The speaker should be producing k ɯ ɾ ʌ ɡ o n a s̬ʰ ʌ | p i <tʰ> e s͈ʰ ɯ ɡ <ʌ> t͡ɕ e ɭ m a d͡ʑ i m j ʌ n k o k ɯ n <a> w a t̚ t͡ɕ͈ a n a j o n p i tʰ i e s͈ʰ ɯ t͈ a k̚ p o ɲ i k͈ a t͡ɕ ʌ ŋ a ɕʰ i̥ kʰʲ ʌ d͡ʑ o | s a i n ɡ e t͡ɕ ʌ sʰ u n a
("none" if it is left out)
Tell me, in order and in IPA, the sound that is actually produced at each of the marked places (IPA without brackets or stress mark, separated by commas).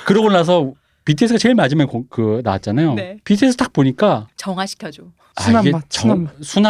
tʰ, a, a